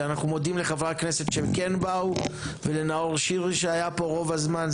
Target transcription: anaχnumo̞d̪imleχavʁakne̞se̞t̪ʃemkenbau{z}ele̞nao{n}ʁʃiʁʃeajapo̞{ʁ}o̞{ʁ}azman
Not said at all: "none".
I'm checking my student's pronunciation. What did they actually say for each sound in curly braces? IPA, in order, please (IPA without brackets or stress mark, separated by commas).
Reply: v, none, ʁ, v